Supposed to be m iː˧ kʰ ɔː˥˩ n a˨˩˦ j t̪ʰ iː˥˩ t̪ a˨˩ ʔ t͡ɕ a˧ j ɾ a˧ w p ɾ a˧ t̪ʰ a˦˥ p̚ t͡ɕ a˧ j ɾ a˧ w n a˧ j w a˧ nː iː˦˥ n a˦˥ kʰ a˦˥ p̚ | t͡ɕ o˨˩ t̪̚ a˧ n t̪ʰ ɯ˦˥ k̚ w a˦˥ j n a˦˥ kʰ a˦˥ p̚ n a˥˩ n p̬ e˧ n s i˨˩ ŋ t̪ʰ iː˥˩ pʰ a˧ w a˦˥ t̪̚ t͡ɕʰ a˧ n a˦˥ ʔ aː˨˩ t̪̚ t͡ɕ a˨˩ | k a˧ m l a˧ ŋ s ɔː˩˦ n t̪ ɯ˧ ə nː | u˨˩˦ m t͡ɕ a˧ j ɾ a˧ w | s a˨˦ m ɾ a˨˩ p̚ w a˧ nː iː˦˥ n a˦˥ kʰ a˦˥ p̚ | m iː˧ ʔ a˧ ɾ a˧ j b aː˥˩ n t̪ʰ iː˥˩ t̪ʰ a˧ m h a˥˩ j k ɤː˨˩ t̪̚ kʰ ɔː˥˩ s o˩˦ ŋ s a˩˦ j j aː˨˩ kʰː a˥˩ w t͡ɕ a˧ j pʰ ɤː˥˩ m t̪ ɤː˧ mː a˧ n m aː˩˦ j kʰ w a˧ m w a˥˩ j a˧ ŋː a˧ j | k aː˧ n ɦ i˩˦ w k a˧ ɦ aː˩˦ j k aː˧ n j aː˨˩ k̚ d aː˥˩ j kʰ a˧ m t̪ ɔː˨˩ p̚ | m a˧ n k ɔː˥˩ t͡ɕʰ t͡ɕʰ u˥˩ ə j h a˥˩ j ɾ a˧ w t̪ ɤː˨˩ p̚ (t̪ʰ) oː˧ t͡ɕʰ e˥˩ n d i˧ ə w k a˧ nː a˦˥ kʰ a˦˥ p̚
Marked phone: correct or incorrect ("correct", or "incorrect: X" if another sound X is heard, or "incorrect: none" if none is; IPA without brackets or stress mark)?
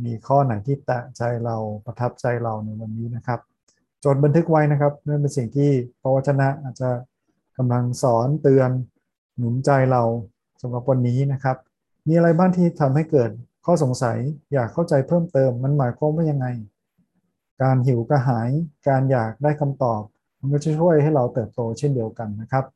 incorrect: t̪